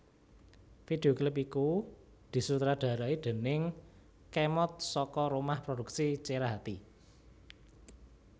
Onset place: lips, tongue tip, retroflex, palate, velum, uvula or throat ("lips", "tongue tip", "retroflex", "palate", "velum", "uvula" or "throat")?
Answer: lips